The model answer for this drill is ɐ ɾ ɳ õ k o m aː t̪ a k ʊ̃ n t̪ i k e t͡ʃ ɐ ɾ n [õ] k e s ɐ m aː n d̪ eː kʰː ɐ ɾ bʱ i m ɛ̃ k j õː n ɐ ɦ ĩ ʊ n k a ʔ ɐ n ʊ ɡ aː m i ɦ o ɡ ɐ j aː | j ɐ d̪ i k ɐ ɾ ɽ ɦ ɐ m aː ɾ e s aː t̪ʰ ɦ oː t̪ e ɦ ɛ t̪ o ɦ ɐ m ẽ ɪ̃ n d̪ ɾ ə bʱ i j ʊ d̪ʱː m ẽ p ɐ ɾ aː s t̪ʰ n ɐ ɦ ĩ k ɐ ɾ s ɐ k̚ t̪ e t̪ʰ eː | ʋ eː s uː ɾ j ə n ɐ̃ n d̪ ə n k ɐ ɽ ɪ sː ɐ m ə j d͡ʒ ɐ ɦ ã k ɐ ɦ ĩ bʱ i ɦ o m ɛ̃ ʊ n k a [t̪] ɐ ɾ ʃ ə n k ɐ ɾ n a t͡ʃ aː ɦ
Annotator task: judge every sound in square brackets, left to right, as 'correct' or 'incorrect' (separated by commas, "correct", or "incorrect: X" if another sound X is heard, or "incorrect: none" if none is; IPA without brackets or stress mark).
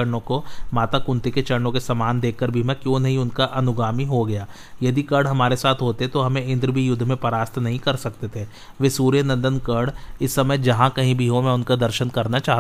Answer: correct, incorrect: d̪